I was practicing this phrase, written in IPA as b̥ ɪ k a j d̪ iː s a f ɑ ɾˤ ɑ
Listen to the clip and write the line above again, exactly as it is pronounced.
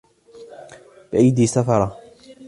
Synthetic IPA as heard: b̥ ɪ ʔ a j d̪ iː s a f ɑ ɾˤ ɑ